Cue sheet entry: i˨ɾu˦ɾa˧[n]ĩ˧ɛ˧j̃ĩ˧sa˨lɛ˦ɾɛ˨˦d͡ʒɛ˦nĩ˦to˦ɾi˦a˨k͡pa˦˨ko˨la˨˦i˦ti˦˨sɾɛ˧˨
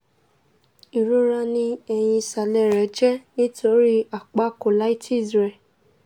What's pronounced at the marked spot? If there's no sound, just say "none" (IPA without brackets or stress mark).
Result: n